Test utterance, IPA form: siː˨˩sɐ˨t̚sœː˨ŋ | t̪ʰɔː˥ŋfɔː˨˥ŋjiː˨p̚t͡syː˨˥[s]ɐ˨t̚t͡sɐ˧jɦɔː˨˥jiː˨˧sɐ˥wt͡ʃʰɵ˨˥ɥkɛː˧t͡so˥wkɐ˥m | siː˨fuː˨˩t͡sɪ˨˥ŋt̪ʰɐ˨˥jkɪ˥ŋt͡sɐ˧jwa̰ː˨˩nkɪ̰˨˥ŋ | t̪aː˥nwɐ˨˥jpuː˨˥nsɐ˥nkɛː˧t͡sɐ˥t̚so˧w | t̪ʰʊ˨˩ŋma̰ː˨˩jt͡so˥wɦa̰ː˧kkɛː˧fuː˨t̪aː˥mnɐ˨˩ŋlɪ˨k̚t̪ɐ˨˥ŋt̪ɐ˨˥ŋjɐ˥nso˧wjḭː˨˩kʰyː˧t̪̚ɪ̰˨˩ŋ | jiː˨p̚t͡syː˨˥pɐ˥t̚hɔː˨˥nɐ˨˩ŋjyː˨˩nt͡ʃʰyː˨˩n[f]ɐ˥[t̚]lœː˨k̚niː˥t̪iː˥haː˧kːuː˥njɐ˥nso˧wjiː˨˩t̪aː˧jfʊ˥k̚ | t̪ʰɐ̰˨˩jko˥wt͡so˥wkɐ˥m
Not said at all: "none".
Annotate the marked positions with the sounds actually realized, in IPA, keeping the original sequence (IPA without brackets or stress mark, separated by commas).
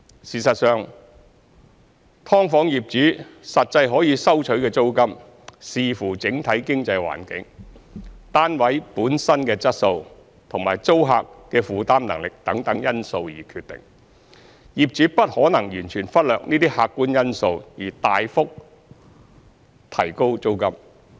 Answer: s, f, t̚